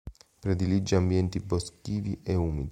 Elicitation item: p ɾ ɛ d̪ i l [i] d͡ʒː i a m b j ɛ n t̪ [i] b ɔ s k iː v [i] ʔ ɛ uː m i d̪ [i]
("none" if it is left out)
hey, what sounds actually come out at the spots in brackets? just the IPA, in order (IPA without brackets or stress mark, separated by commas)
i, i, i, i